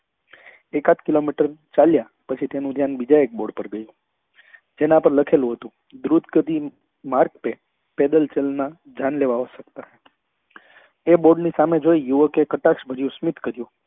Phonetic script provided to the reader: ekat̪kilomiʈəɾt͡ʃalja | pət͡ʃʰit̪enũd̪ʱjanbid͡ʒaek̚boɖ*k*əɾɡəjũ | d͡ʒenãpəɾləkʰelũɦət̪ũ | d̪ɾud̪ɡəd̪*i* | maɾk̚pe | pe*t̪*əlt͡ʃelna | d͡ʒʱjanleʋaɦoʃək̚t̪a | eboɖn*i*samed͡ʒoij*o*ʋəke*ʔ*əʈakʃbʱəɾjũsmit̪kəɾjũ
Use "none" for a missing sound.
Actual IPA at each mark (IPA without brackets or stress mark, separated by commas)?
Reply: p, i, d̪, i, u, k